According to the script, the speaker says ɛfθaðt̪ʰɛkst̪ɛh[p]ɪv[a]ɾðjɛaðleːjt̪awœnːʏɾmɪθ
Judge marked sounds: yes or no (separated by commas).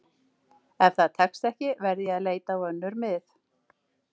no, no